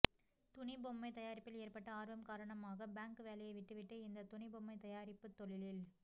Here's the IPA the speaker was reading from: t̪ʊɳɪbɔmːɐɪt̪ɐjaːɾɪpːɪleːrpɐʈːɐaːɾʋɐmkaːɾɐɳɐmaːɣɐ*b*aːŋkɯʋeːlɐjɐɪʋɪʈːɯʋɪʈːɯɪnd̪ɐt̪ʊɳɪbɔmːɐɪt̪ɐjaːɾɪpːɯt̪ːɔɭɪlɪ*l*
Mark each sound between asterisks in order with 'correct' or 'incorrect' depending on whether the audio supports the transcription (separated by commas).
correct, correct